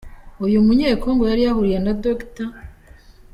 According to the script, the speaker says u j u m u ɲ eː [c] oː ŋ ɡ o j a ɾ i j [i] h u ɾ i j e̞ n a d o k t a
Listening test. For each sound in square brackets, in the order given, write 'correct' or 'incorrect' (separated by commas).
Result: incorrect, incorrect